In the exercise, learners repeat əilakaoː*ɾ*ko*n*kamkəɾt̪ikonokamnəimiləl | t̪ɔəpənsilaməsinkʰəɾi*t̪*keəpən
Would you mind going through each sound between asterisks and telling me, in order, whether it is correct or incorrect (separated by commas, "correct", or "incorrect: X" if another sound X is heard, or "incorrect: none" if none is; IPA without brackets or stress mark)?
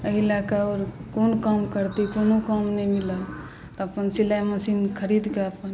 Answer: correct, correct, incorrect: d̪